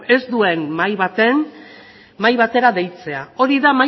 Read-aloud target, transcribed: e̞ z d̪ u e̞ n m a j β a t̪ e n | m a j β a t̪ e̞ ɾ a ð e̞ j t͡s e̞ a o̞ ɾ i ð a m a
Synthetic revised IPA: e̞ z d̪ u e̞ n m a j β a t̪ e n | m a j β a t̪ e̞ ɾ a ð e̞ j t͡s e̞ a o̞ ɾ i ð a m a